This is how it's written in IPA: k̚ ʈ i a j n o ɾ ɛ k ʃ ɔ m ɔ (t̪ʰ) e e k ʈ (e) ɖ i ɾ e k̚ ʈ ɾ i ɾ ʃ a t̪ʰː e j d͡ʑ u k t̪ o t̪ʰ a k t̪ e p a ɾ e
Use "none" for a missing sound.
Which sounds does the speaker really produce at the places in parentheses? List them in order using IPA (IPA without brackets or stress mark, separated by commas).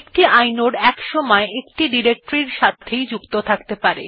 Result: none, i